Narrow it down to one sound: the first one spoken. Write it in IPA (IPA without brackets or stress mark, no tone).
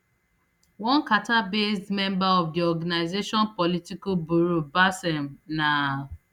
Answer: w